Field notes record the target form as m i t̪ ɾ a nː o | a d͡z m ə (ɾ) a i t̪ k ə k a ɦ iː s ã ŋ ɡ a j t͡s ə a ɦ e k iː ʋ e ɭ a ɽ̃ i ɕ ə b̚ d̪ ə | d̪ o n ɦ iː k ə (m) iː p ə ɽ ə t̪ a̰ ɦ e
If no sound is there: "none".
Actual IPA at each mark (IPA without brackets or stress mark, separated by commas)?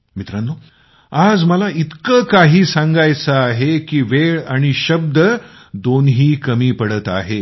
l, m